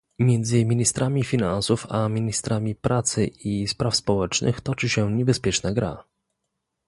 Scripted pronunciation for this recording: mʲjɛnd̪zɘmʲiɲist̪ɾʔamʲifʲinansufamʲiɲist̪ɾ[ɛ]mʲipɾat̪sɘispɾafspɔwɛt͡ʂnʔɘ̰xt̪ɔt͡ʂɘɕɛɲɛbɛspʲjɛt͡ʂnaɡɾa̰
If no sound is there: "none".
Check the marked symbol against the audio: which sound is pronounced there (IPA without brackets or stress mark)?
a